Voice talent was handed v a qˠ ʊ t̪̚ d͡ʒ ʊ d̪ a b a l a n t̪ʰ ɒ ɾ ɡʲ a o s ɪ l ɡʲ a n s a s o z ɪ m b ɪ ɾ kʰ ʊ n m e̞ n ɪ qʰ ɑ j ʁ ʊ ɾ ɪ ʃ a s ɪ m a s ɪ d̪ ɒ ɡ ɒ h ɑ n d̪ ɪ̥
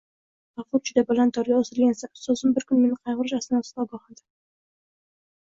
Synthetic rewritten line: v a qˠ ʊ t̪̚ d͡ʒ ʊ d̪ a b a l a n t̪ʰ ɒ ɾ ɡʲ a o s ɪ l ɡʲ a n s a s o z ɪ m b ɪ ɾ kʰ ʊ n m e̞ n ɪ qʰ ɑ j ʁ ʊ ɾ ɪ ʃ a s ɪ n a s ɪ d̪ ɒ ɡ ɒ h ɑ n d̪ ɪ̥